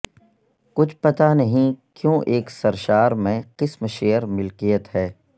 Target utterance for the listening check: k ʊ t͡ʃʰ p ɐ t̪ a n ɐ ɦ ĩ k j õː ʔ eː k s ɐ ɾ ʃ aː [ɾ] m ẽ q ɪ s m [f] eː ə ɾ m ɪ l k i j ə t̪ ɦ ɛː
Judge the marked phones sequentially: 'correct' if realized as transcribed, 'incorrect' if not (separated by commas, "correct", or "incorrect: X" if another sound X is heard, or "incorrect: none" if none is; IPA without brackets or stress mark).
correct, incorrect: ʃ